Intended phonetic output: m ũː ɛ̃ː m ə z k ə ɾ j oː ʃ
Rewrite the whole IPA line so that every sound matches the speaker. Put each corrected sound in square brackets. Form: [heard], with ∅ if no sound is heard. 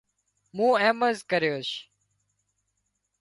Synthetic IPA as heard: m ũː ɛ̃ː m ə z k ə ɾ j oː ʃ